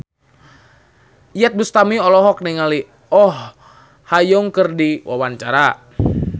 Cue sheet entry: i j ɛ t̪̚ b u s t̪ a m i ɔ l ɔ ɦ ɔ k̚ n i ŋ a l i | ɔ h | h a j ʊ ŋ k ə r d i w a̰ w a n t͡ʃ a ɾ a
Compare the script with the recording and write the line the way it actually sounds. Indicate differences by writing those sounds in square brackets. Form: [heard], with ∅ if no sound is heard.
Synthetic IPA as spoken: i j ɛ t̪̚ b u s t̪ a m i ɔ l ɔ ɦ ɔ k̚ n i ŋ a l i | ɔ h | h a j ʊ ŋ k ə r d i w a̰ w a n t͡ʃ a ɾ a

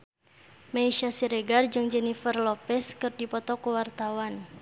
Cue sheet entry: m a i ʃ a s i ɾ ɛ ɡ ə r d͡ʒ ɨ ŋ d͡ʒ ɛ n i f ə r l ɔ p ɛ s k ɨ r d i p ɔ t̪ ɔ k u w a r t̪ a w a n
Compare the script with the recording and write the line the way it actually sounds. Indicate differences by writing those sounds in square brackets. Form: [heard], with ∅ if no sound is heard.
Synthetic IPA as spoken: m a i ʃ a s i ɾ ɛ ɡ [a] r d͡ʒ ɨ ŋ d͡ʒ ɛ n i f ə r l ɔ p ɛ s k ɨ r d i p ɔ t̪ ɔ k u w a r t̪ a w a n

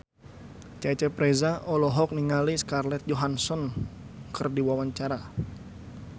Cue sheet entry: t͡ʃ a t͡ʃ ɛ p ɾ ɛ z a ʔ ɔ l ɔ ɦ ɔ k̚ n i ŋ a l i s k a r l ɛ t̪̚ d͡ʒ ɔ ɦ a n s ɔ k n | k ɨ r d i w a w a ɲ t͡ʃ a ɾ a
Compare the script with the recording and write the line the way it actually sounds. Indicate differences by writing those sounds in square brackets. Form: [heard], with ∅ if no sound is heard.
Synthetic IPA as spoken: t͡ʃ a t͡ʃ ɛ p ɾ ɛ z a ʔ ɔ l ɔ ɦ ɔ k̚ n i ŋ a l i s k a r l ɛ t̪̚ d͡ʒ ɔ ɦ a n s ɔ [∅] n | k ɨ r d i w a w a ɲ t͡ʃ a ɾ a

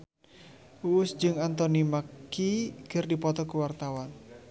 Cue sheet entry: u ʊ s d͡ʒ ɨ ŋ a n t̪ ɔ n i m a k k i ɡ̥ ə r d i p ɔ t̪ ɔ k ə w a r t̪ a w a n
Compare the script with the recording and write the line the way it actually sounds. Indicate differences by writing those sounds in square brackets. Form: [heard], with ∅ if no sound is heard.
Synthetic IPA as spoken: u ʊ s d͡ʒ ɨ ŋ a n t̪ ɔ n i m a k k i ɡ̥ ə r d i p ɔ t̪ ɔ k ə w a r t̪ a w a n

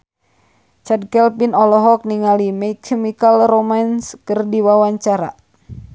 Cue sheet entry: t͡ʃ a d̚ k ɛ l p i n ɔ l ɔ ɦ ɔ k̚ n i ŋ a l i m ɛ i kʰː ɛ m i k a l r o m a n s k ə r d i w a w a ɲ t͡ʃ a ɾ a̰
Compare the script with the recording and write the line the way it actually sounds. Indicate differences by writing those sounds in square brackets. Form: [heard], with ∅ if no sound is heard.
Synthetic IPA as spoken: t͡ʃ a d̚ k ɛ l p i n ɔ l ɔ ɦ ɔ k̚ n i ŋ a l i m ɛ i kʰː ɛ m i k a l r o m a n s k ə r d i w a w a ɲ t͡ʃ a ɾ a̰

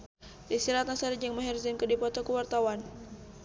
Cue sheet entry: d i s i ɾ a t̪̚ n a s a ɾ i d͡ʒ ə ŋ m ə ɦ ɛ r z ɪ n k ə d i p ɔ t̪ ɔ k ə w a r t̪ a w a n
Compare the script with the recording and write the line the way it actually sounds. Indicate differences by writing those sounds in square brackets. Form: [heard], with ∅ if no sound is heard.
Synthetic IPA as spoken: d i s i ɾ a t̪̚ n a s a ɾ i d͡ʒ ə ŋ m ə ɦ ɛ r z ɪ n k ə d i p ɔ t̪ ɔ k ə w a r t̪ a w a n

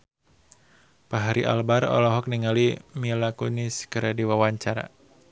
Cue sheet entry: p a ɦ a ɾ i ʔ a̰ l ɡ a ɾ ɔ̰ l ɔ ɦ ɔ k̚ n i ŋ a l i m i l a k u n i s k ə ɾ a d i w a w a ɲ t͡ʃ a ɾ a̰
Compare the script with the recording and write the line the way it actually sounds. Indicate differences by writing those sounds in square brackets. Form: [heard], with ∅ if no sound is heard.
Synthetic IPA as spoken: p a ɦ a ɾ i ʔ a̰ l [b] a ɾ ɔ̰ l ɔ ɦ ɔ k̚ n i ŋ a l i m i l a k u n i s k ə ɾ a d i w a w a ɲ t͡ʃ a ɾ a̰

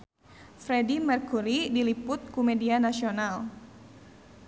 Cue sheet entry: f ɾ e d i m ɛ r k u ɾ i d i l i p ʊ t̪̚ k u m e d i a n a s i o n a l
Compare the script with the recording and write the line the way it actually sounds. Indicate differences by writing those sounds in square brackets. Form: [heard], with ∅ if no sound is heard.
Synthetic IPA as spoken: f ɾ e d i m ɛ r k u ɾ i d i l i p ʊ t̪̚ k u m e d i a n a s i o n a l

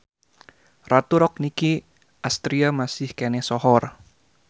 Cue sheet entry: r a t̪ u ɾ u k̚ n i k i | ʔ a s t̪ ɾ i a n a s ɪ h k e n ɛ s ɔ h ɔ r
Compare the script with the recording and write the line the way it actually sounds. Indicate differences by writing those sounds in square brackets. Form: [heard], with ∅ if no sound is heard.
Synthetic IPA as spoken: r a t̪ u ɾ [ɔ] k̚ n i k i | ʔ a s t̪ ɾ i a [m] a s ɪ h k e n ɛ s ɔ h ɔ r

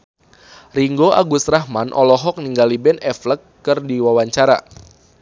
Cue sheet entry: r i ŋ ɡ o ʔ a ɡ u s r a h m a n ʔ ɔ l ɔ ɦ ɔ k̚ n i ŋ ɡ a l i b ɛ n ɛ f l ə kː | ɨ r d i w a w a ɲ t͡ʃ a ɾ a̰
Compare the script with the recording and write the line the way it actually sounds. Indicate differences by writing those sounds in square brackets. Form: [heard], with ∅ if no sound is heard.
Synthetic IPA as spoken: r i ŋ ɡ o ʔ a ɡ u s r a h m a n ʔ ɔ l ɔ ɦ ɔ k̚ n i ŋ ɡ a l i b ɛ n ɛ f l ə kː | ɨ r d i w a w a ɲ t͡ʃ a ɾ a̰

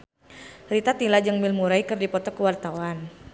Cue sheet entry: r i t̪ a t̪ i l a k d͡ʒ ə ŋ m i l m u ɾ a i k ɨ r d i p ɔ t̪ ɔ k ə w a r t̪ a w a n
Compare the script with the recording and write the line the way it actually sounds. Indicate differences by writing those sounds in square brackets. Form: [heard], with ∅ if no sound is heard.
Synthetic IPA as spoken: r i t̪ a t̪ i l a [∅] d͡ʒ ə ŋ m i l m u ɾ a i k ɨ r d i p ɔ t̪ ɔ k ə w a r t̪ a w a n

